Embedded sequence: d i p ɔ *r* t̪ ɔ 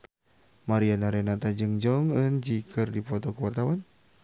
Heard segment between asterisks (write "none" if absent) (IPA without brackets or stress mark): none